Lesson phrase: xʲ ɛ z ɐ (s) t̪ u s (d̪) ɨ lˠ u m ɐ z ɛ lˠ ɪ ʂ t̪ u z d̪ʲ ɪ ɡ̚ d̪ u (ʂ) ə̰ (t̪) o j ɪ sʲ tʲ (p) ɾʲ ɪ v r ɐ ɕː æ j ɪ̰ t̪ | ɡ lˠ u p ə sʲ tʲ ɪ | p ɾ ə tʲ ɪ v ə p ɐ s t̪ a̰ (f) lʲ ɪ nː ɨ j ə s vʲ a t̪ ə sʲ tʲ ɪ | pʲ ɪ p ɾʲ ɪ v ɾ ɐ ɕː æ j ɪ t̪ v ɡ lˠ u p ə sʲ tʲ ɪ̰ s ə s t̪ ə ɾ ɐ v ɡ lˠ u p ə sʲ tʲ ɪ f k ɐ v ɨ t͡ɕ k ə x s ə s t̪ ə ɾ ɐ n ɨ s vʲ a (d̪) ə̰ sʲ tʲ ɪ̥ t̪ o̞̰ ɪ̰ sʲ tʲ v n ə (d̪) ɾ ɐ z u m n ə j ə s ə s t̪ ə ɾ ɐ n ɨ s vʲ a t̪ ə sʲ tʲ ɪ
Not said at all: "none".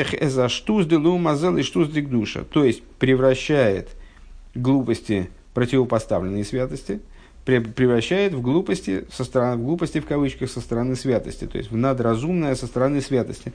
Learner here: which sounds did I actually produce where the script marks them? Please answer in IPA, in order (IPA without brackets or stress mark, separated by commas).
ʂ, d̪, ʂ, t̪, p, v, t̪, d̪